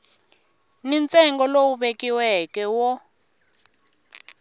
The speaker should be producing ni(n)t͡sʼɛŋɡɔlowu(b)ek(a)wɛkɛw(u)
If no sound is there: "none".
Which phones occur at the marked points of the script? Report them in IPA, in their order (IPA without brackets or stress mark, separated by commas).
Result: n, ɓ, i, ɔ